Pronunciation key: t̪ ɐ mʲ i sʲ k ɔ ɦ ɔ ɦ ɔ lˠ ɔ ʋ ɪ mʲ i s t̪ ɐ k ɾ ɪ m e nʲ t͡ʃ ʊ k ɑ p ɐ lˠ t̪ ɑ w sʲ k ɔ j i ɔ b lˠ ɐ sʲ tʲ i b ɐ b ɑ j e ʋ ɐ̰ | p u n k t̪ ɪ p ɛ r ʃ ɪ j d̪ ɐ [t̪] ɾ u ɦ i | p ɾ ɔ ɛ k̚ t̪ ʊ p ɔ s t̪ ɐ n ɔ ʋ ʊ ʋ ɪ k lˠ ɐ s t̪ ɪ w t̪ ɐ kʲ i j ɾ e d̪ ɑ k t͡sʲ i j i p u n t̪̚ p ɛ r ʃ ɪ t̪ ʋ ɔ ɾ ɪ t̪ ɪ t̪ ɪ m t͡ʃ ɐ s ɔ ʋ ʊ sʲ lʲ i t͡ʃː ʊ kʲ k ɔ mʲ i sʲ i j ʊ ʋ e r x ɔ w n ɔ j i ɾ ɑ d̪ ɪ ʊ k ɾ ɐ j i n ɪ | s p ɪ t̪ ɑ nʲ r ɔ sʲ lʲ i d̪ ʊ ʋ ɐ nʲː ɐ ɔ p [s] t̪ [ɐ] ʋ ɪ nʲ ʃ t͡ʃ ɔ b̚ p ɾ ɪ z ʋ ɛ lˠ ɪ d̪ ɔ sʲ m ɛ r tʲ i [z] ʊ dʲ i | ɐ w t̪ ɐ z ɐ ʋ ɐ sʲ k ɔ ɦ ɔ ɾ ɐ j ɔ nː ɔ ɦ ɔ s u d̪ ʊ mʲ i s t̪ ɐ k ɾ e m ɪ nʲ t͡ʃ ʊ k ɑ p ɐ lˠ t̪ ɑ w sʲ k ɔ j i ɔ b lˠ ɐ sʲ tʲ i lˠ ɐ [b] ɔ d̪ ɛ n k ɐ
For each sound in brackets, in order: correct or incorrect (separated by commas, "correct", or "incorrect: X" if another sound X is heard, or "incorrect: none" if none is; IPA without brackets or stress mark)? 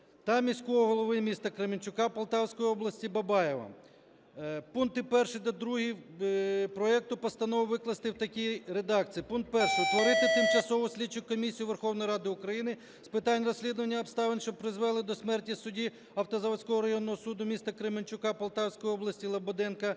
incorrect: d̪, correct, incorrect: ɑ, incorrect: s, correct